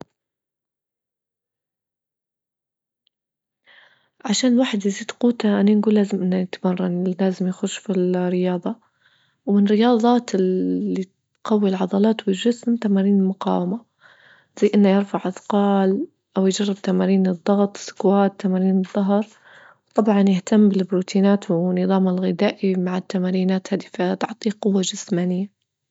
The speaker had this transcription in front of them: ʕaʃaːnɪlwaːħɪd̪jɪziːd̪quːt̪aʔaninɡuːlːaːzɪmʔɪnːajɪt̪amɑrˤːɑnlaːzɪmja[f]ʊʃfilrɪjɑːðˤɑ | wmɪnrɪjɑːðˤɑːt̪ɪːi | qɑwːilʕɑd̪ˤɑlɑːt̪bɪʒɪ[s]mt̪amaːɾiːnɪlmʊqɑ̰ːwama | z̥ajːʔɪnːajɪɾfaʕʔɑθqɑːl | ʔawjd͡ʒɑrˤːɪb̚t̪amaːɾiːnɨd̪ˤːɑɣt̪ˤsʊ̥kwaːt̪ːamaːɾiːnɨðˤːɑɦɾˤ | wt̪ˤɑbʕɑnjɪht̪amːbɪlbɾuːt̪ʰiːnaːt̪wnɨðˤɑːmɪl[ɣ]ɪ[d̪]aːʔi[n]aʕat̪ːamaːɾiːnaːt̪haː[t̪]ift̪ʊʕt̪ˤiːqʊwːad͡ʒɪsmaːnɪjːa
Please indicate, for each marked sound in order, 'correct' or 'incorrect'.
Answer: incorrect, correct, correct, correct, incorrect, incorrect

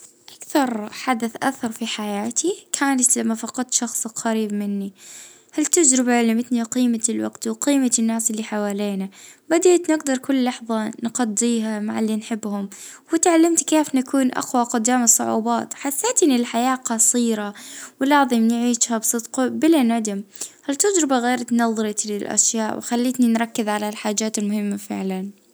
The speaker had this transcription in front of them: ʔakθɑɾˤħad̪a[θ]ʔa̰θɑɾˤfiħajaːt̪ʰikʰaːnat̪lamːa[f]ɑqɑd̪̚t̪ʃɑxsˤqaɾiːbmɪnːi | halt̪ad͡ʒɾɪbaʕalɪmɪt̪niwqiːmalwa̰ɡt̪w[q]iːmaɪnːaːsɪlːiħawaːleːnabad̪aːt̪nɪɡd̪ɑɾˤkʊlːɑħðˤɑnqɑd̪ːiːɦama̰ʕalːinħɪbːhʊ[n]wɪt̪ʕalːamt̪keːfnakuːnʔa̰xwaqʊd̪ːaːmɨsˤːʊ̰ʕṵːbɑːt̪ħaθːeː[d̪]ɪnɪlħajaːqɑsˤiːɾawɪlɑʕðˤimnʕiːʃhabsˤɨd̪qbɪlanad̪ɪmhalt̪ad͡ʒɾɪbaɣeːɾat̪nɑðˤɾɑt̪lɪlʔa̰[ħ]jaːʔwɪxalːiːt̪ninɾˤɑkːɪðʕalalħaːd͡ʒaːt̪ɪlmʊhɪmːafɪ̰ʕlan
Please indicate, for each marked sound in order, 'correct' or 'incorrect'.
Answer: correct, correct, correct, incorrect, incorrect, incorrect

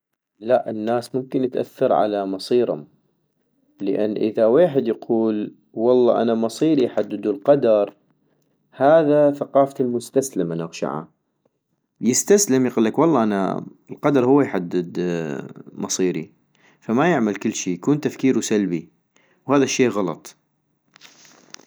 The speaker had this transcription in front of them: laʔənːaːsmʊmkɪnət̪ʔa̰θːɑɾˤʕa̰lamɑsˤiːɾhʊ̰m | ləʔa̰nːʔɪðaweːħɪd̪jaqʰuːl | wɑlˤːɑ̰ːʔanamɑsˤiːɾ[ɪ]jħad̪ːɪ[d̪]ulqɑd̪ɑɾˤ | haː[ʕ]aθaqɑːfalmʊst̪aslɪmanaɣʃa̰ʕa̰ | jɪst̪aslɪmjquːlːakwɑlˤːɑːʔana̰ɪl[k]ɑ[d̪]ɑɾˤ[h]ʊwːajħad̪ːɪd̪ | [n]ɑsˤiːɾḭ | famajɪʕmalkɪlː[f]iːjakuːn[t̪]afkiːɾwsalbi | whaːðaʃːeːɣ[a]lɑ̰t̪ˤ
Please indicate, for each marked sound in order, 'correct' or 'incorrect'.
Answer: incorrect, correct, incorrect, incorrect, correct, correct, incorrect, incorrect, correct, incorrect

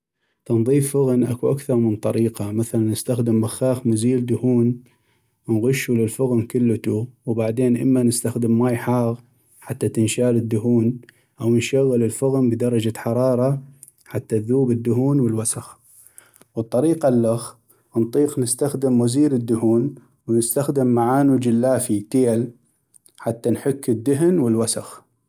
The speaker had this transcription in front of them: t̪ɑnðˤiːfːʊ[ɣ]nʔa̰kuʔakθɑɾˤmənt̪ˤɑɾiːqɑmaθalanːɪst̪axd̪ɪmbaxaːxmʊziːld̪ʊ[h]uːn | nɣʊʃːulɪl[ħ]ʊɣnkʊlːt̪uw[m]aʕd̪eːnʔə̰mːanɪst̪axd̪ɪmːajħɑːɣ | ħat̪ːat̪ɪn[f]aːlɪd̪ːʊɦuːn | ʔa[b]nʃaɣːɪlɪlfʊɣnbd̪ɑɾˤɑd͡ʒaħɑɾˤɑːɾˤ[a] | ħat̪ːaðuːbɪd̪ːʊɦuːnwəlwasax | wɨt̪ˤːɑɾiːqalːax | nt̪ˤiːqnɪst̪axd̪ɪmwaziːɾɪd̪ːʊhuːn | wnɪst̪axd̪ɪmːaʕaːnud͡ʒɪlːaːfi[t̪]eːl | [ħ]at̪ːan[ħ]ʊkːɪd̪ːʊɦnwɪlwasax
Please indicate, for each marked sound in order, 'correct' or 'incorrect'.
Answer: correct, correct, incorrect, incorrect, incorrect, incorrect, incorrect, correct, correct, correct

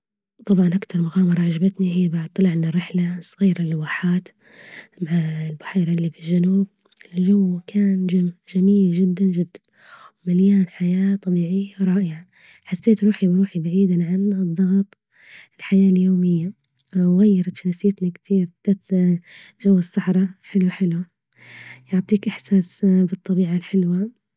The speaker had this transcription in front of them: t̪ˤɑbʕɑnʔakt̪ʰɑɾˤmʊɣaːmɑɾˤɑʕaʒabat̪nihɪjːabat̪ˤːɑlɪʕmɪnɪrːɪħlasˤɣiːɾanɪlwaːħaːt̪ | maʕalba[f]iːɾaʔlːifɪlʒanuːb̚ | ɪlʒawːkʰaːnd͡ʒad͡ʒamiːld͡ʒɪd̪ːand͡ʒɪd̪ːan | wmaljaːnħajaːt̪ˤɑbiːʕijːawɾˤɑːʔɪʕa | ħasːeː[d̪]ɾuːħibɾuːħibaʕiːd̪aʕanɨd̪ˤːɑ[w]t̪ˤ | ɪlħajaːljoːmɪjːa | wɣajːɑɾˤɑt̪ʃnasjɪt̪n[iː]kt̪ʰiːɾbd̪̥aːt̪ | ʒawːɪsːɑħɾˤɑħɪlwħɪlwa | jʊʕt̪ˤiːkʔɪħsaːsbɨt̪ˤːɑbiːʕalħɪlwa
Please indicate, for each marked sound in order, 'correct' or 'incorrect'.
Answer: incorrect, incorrect, incorrect, incorrect

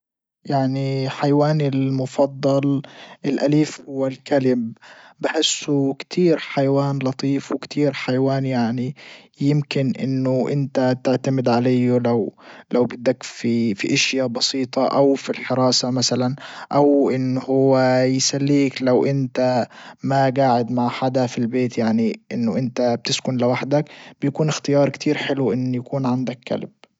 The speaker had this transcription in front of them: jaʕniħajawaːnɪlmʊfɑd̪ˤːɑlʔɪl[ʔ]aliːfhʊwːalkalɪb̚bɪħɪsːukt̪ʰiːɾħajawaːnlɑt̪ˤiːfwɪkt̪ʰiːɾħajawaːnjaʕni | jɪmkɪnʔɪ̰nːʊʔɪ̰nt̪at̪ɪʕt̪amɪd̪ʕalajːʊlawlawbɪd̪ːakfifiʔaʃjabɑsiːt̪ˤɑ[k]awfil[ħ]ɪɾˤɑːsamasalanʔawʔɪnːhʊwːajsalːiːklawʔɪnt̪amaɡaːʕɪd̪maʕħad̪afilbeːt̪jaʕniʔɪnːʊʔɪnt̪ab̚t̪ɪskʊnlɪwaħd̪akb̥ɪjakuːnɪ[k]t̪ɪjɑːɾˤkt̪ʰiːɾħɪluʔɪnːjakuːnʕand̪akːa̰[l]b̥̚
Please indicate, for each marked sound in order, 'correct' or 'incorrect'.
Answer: correct, incorrect, correct, incorrect, correct

